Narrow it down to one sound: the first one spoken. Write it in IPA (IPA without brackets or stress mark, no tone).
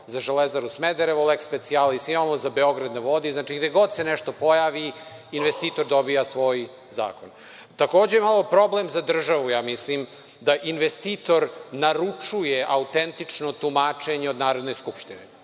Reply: z